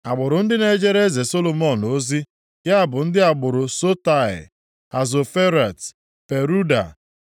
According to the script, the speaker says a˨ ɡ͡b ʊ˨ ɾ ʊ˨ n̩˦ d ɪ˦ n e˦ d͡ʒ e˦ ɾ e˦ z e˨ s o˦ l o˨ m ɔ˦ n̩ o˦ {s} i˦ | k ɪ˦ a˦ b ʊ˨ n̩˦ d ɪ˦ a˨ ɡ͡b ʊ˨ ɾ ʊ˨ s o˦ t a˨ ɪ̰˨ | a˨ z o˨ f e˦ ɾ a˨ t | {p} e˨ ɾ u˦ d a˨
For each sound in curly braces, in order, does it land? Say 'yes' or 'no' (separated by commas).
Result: no, yes